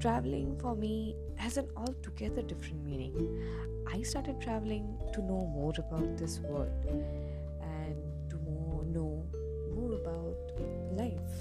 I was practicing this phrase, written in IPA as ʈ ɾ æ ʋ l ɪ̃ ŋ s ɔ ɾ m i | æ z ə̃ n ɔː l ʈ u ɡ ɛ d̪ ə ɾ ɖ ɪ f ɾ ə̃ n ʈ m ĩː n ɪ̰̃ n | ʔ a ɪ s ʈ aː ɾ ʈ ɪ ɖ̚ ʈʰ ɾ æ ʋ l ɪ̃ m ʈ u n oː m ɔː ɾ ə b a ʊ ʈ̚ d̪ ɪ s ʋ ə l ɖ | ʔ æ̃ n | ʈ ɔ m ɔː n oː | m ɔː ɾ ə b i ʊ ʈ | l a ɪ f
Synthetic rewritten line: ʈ ɾ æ ʋ l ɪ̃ ŋ f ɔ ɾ m i | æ z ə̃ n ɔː l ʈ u ɡ ɛ d̪ ə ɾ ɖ ɪ f ɾ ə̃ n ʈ m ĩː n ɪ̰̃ ŋ | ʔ a ɪ s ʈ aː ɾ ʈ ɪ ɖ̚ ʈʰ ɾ æ ʋ l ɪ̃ ŋ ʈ u n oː m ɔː ɾ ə b a ʊ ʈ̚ d̪ ɪ s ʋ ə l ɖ | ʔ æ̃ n | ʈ u m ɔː n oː | m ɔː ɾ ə b a ʊ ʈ | l a ɪ f